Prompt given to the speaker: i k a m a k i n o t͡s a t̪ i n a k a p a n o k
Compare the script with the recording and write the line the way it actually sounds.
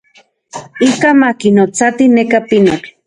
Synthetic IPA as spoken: i k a m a k i n o t͡s a t̪ i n e k a p i n o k